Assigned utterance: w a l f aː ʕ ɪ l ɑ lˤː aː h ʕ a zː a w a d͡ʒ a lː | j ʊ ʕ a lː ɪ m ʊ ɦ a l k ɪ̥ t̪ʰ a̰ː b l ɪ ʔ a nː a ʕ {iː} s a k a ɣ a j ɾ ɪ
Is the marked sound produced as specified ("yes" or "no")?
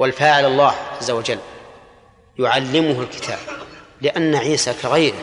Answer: yes